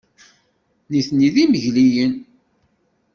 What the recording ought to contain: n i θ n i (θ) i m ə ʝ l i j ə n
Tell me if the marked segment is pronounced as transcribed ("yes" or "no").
no